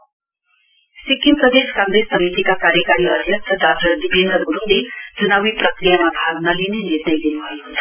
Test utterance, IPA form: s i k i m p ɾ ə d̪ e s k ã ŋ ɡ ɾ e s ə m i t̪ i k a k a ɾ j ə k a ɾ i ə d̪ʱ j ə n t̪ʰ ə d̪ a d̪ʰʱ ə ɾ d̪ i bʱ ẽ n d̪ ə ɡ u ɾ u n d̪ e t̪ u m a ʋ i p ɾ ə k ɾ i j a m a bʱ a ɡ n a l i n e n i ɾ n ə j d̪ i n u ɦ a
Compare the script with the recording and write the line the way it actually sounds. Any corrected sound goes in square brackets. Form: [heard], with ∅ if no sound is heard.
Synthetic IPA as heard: s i k i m p ɾ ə d̪ e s k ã ŋ ɡ ɾ e s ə m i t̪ i k a k a ɾ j ə k a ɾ i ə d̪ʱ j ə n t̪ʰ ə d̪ a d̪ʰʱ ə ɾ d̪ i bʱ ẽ n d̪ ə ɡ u ɾ u n d̪ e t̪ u [n] a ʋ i p ɾ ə k ɾ i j a m a bʱ a ɡ n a l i n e n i ɾ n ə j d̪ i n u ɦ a